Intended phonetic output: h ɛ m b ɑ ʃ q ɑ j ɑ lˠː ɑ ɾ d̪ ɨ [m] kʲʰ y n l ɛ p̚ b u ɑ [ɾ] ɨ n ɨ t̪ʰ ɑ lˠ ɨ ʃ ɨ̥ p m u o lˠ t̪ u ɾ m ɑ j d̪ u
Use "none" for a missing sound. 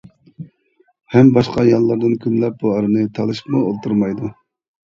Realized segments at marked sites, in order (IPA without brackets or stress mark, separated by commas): n, ɾ